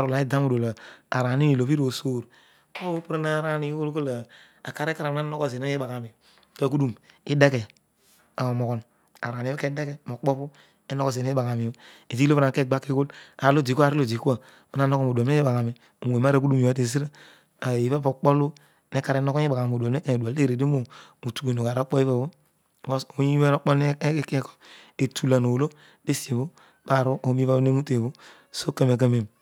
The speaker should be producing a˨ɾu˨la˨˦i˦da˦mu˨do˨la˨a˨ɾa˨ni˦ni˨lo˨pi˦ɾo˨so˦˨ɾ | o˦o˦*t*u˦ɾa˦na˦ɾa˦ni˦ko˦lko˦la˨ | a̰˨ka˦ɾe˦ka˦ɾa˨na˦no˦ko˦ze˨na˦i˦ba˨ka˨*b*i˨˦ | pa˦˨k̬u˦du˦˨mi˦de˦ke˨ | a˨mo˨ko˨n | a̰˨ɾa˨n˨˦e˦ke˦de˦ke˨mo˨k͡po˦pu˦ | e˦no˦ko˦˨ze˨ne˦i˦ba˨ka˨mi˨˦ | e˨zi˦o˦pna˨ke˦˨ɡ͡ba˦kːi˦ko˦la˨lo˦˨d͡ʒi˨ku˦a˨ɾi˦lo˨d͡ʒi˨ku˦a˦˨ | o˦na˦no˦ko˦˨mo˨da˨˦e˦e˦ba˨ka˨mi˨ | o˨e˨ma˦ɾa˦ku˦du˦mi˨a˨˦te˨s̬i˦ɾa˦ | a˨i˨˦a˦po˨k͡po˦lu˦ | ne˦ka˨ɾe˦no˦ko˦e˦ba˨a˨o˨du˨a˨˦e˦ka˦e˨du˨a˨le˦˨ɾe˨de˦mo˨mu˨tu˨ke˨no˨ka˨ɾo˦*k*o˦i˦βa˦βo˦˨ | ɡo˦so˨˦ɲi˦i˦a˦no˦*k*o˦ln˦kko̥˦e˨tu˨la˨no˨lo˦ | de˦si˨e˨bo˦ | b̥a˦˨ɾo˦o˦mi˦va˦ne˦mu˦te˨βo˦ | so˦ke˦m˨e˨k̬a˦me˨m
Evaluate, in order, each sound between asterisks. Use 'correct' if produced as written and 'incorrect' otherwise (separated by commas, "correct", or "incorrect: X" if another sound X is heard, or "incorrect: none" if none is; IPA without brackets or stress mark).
incorrect: p, incorrect: m, incorrect: k͡p, incorrect: k͡p